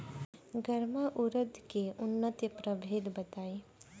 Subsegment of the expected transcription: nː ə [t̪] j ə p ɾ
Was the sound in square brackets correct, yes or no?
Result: yes